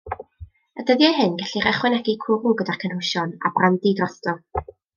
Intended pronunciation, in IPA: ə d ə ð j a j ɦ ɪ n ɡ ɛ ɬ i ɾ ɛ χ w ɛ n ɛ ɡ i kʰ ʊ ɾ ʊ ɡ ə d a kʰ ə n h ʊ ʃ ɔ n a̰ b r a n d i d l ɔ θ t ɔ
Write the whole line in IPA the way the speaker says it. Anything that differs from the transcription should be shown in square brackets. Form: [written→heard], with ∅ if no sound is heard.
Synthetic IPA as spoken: ə d ə ð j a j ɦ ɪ n ɡ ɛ ɬ i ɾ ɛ χ w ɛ n ɛ ɡ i kʰ ʊ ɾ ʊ ɡ ə d a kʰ ə n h ʊ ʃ ɔ n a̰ b r a n d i d [l→r] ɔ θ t ɔ